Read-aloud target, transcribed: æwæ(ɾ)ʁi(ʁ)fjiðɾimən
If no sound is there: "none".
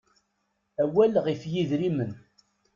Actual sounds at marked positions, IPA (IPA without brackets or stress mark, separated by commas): l, none